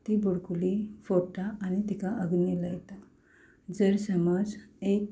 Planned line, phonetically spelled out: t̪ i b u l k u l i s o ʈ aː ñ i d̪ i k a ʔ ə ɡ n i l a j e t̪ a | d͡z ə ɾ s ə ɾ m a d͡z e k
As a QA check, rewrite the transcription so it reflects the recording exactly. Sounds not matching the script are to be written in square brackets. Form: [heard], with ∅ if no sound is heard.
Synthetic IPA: t̪ i b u [ɽ] k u l i [f] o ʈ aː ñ i [t̪] i k a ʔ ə ɡ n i l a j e t̪ a | d͡z ə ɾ s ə [∅] m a d͡z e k